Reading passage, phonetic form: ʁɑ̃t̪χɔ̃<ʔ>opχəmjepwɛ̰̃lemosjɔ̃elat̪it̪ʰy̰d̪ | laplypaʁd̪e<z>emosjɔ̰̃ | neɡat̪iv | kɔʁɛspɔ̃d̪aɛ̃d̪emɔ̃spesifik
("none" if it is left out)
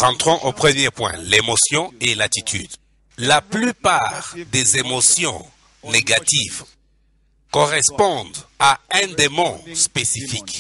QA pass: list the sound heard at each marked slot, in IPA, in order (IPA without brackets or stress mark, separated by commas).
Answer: ʔ, z